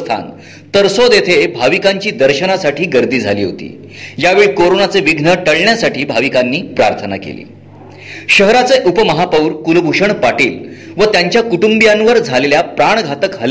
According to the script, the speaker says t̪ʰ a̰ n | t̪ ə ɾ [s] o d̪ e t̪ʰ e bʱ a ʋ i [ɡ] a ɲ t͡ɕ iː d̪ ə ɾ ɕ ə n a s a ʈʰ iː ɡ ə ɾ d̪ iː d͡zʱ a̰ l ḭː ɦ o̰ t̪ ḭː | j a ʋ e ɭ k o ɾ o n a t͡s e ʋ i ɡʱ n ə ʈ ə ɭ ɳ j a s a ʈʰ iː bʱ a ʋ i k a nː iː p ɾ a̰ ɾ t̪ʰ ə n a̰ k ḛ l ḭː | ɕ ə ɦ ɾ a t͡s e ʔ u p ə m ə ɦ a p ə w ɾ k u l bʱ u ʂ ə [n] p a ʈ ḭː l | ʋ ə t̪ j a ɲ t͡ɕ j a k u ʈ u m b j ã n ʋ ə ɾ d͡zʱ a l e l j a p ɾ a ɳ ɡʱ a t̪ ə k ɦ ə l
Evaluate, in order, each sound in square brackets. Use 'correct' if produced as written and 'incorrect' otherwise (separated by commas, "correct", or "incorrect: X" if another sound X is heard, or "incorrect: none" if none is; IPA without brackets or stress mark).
correct, incorrect: k, incorrect: ɳ